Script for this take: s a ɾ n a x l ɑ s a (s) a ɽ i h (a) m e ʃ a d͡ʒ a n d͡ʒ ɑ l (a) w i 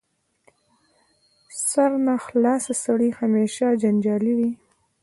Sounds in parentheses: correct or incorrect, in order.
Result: correct, correct, incorrect: i

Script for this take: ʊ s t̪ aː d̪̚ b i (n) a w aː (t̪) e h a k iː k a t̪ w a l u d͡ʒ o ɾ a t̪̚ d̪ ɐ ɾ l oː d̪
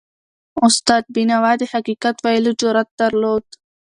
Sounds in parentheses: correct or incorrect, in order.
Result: correct, incorrect: d̪

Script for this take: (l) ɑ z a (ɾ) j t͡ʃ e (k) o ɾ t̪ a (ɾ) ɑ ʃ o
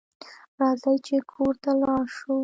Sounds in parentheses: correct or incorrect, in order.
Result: incorrect: ɾ, incorrect: none, incorrect: kʰ, incorrect: l

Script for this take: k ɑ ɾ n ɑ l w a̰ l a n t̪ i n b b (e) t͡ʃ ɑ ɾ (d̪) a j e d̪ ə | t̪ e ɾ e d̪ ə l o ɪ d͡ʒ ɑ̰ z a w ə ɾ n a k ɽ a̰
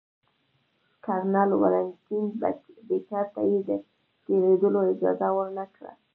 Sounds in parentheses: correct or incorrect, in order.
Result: correct, incorrect: t̪

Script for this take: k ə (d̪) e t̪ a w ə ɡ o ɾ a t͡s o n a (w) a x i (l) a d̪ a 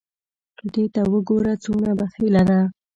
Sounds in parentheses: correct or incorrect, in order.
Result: correct, incorrect: b, correct

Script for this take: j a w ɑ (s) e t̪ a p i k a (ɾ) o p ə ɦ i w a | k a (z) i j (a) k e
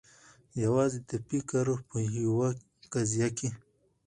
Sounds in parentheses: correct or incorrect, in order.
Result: incorrect: z, correct, correct, correct

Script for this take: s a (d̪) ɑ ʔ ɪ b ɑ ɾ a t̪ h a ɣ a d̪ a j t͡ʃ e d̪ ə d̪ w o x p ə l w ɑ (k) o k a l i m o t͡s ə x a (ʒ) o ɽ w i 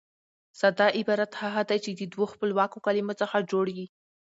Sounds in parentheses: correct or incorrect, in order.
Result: correct, correct, incorrect: d͡ʒ

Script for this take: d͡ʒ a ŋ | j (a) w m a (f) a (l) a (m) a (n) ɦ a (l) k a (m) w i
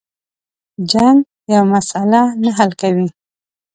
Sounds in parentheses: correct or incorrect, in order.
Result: correct, incorrect: s, correct, incorrect: n, incorrect: none, correct, incorrect: none

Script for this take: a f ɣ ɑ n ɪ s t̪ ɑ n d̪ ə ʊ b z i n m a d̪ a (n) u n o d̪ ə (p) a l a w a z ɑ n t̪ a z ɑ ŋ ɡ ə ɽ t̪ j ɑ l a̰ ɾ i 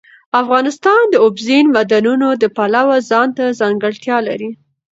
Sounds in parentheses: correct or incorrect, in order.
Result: correct, correct

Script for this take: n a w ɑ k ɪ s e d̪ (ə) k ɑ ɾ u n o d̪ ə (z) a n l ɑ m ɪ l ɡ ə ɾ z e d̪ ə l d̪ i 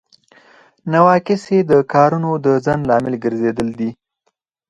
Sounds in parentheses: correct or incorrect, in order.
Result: correct, correct

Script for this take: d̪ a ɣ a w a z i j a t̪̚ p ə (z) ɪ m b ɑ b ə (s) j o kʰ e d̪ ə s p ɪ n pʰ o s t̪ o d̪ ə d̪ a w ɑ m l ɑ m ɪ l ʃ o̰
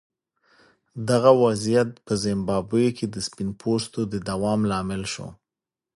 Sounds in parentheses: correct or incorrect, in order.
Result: correct, incorrect: none

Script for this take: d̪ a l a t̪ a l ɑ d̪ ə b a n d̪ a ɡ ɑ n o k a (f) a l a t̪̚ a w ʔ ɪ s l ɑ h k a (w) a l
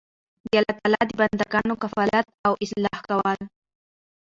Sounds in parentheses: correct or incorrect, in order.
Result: correct, correct

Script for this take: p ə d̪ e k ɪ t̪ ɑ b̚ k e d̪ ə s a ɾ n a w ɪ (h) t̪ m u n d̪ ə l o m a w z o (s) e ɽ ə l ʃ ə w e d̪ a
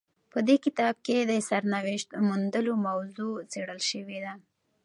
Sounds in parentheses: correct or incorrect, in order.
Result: incorrect: ʃ, incorrect: t͡s

